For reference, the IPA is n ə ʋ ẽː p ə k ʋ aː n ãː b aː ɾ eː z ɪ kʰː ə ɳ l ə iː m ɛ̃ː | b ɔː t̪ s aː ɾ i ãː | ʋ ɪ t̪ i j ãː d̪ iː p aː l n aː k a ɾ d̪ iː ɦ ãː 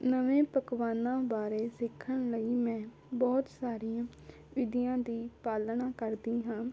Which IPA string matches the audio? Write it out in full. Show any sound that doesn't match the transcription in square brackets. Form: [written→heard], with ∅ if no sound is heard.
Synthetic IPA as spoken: n ə ʋ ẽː p ə k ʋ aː n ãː b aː ɾ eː [z→s] ɪ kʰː ə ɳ l ə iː m ɛ̃ː | b ɔː t̪ s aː ɾ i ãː | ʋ ɪ [t̪→d̪] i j ãː d̪ iː p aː l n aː k [a→ə] ɾ d̪ iː ɦ ãː